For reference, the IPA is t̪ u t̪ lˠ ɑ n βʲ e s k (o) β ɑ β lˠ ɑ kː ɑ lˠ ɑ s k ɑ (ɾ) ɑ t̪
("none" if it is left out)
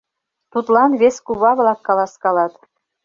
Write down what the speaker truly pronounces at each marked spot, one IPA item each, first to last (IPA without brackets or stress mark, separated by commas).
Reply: u, l